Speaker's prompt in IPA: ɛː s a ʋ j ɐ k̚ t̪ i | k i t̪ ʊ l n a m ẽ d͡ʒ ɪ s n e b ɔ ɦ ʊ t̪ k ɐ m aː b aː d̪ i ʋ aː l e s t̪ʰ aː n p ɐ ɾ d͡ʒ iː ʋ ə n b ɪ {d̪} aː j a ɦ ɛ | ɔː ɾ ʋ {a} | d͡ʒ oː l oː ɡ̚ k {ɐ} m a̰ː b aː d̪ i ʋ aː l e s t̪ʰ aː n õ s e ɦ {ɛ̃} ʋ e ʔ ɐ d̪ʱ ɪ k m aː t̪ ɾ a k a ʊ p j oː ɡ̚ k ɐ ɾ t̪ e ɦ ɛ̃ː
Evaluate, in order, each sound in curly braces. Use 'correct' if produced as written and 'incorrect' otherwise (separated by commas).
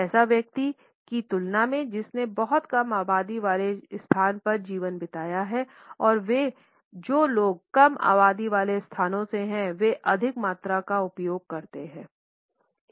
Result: incorrect, incorrect, correct, correct